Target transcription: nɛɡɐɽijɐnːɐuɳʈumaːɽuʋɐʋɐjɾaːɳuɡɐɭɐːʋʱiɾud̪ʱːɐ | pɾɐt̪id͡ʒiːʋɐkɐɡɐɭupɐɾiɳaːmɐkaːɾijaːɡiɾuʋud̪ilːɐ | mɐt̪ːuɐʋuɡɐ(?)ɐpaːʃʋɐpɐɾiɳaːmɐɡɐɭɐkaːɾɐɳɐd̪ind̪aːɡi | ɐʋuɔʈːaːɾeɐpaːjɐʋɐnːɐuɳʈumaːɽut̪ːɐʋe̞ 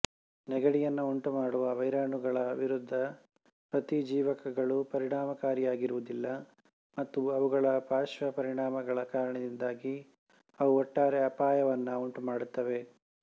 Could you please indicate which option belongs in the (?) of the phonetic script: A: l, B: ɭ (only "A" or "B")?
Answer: B